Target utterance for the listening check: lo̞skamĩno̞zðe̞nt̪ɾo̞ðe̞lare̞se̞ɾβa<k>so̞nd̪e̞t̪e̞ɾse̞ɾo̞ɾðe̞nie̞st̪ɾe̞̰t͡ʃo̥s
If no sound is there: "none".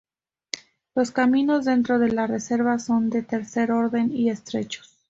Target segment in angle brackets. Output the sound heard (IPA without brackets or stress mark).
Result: none